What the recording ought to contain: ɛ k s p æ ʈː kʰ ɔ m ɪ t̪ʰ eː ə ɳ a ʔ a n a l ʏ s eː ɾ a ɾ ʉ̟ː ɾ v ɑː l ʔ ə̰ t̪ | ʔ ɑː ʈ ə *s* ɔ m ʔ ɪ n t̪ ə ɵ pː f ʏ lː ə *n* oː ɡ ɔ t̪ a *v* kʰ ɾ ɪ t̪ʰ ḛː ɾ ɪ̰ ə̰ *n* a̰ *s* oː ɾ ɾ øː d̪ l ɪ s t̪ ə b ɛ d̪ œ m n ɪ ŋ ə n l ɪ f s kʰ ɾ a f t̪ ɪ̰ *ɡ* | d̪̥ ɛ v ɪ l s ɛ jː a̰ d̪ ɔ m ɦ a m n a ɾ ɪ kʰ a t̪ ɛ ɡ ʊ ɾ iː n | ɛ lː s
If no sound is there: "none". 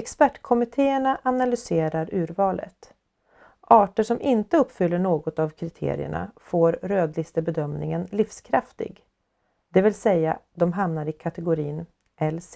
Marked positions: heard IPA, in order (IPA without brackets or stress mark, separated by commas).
ʂ, ɳ, v, ɳ, f, ɡ